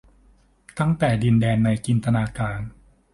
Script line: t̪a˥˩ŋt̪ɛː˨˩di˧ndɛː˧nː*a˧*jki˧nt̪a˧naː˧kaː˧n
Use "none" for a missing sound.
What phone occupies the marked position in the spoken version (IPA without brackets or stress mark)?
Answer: a˧